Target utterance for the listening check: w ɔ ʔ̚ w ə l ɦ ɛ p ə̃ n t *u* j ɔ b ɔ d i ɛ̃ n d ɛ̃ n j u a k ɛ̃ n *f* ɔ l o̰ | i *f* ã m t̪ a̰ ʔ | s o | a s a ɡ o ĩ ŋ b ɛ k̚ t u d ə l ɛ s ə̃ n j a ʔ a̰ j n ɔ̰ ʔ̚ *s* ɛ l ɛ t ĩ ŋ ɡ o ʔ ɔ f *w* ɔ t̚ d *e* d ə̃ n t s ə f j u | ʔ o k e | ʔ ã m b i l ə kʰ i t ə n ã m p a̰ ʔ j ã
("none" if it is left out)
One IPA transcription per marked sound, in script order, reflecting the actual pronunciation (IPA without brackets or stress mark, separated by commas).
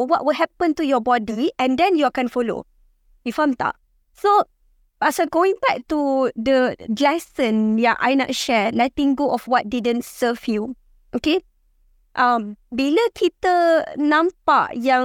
u, f, f, ʃ, w, i